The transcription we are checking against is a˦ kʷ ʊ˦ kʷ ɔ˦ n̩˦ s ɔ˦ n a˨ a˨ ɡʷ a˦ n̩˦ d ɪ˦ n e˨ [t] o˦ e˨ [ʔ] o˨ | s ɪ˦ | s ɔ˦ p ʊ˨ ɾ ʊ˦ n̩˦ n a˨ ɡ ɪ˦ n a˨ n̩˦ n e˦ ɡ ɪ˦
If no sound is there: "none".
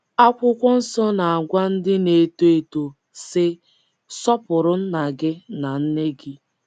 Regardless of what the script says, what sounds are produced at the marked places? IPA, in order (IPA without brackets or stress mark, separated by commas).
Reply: t, t